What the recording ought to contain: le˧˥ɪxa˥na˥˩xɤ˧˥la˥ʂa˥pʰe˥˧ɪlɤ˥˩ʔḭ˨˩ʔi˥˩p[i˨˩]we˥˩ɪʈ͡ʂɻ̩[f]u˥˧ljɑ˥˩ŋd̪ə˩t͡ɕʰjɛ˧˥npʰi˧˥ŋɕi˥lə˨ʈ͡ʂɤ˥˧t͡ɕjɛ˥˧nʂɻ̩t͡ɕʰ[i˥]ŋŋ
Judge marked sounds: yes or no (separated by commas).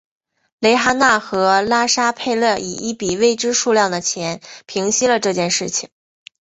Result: yes, no, no